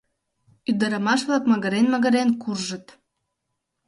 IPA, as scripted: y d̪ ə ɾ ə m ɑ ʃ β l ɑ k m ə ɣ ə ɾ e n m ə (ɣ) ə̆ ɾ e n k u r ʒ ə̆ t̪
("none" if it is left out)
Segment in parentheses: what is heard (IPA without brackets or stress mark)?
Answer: ɣ